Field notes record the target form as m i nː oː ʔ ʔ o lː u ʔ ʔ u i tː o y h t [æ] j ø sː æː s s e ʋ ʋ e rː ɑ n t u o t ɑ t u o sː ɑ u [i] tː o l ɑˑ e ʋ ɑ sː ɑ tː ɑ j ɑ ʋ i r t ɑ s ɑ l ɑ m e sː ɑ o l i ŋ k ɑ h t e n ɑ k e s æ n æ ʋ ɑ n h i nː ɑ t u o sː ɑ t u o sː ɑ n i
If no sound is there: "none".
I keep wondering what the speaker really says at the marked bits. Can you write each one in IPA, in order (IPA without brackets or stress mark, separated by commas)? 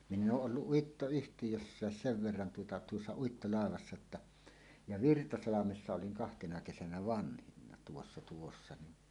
i, i